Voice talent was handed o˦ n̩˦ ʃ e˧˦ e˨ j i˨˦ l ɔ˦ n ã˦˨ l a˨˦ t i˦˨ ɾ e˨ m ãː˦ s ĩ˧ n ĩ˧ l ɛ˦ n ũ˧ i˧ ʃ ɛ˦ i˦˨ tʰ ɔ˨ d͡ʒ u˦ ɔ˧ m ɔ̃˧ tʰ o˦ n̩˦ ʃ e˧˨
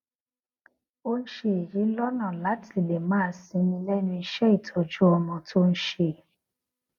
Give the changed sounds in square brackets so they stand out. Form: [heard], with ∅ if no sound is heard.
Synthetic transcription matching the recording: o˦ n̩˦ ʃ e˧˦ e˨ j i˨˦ l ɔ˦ n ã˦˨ l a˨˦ t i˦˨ [l] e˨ m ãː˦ s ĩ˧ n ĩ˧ l ɛ˦ n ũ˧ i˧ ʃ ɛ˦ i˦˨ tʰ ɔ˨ d͡ʒ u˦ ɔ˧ m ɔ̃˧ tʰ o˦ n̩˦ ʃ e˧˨